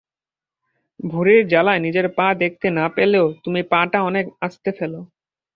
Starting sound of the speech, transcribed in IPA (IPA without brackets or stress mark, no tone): bʱ